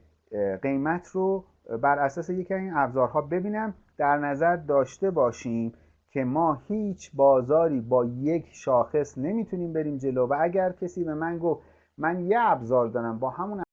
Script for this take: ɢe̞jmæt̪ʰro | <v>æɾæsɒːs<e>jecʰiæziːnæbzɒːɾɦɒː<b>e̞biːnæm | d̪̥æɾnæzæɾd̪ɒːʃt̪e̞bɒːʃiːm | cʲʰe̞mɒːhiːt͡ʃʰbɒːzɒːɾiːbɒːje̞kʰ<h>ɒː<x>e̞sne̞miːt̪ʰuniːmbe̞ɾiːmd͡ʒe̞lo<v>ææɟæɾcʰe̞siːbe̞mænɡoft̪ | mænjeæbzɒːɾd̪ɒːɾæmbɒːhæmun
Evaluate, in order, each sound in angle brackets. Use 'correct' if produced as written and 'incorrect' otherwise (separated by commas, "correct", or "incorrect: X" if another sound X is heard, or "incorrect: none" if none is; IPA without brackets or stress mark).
incorrect: b, correct, correct, incorrect: ʃ, correct, correct